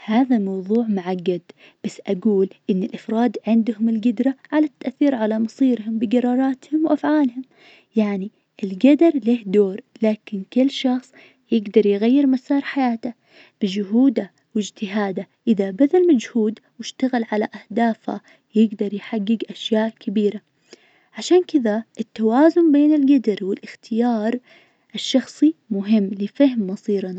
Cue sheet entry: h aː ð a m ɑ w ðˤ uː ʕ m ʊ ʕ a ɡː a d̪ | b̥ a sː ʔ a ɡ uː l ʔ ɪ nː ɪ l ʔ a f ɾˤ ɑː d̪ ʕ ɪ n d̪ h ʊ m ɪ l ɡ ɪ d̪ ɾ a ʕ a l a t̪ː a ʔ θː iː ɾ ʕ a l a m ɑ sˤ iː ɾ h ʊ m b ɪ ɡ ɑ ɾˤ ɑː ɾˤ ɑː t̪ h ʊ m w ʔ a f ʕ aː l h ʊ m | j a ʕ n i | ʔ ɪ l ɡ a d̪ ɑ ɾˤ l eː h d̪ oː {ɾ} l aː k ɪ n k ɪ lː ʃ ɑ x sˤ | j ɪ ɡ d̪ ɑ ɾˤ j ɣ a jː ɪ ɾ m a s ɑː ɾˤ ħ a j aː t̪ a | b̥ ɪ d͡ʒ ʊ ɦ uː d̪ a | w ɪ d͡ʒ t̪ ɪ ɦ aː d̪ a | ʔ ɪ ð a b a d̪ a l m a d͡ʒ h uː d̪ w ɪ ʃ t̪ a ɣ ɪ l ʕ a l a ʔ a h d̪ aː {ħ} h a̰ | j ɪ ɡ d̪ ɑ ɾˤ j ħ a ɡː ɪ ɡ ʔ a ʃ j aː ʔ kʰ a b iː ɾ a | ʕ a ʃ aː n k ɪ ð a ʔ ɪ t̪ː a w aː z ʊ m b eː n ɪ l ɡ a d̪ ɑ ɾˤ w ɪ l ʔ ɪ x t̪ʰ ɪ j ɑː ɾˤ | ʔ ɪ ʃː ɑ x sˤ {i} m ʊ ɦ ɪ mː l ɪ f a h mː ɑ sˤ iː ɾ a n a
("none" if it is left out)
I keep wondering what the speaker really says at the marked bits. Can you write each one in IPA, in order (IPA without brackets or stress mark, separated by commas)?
ɾ, f, i